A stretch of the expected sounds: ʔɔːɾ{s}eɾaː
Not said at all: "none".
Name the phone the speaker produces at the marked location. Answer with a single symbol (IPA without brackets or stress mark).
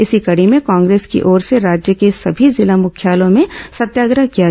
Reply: s